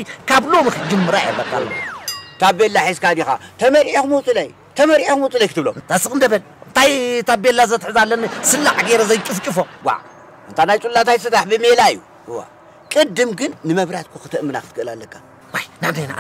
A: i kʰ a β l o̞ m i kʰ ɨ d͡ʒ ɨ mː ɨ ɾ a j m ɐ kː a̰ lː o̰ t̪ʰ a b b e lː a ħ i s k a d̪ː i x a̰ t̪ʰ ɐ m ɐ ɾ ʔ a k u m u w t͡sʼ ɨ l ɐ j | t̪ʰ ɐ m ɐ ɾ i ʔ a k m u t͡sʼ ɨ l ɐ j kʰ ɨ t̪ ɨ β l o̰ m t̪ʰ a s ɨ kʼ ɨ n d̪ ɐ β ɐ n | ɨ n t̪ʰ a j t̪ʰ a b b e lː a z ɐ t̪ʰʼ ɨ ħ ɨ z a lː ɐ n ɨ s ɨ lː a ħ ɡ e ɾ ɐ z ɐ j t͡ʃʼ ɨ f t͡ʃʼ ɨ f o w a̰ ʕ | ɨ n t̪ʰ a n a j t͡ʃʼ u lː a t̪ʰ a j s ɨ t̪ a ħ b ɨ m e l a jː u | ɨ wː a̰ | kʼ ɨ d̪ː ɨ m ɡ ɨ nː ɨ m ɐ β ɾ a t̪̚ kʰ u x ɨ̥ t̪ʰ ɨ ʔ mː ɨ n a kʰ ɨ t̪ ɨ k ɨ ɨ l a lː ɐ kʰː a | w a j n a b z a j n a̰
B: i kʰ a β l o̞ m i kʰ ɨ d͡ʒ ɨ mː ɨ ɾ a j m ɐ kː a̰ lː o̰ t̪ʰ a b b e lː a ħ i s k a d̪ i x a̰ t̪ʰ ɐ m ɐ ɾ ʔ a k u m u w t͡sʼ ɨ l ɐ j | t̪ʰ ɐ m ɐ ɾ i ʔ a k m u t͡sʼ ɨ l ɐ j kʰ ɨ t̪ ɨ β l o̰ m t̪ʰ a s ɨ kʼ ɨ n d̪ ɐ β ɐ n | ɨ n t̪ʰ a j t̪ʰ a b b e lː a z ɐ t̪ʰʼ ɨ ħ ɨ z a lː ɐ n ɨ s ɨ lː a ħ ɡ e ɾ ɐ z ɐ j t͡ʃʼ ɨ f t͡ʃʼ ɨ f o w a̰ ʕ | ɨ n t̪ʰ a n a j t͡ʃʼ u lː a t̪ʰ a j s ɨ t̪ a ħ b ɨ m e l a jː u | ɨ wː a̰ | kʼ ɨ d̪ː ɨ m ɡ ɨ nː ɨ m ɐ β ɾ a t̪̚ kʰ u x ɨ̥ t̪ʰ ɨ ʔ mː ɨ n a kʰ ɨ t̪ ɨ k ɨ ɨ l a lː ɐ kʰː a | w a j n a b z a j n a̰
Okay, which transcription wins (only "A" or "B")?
B